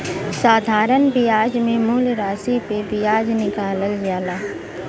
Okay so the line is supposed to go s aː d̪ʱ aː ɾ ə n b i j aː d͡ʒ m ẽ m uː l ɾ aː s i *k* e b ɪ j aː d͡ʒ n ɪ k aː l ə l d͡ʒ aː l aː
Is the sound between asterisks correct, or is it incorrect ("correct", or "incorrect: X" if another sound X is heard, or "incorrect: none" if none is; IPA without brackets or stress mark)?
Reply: incorrect: p